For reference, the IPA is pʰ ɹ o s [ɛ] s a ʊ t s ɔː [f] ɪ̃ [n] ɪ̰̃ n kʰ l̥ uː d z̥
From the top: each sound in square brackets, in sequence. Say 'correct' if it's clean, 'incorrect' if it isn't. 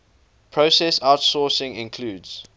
correct, incorrect: s, incorrect: ŋ

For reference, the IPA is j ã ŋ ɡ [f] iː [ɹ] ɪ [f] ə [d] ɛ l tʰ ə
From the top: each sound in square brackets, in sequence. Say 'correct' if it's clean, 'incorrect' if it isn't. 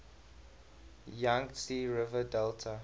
incorrect: s, correct, incorrect: v, correct

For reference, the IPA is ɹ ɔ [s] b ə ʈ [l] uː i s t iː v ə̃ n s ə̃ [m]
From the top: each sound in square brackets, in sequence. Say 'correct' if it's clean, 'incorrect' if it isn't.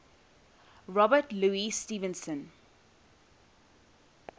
incorrect: none, correct, incorrect: n

